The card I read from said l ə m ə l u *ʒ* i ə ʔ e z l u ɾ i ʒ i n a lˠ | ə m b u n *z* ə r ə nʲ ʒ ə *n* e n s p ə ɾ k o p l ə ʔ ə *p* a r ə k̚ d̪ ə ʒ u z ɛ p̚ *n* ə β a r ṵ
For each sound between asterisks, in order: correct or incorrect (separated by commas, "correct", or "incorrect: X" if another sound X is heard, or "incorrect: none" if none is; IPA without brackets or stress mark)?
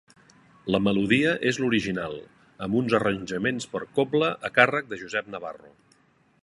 incorrect: ð, correct, incorrect: m, incorrect: k, correct